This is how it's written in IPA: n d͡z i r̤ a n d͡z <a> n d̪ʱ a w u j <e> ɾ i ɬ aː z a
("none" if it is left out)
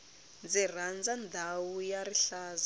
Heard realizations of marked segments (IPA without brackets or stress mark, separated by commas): a, a